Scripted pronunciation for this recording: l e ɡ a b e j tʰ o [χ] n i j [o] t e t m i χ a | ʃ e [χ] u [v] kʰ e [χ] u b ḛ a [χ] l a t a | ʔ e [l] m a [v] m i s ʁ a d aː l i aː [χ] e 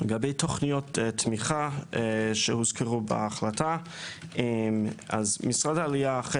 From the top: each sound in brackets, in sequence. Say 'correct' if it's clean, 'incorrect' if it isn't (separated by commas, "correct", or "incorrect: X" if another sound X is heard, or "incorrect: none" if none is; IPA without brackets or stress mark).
correct, correct, incorrect: h, incorrect: z, incorrect: ʁ, correct, incorrect: none, incorrect: z, correct